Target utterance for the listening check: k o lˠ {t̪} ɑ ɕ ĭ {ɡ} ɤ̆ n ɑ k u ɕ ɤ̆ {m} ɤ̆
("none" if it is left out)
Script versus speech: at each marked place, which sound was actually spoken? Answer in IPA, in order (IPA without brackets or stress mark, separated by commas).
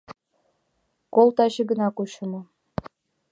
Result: t̪, ɡ, m